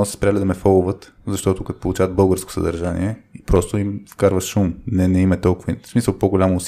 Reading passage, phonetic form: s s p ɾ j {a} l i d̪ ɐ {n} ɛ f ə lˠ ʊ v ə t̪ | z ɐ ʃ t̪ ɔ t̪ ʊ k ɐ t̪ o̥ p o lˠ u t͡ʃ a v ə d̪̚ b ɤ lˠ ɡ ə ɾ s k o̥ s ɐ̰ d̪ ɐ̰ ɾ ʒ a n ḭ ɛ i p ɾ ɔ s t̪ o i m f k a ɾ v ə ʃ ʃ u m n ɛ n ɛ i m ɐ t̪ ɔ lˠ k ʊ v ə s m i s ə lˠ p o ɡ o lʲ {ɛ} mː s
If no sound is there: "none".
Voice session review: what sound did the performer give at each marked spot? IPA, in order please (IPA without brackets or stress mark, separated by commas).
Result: a, m, a